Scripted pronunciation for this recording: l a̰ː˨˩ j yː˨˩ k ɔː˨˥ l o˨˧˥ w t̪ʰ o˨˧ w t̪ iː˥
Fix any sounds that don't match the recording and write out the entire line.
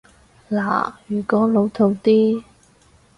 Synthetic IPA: l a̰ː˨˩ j yː˨˩ k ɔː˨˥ l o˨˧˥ w t̪ʰ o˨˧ w t̪ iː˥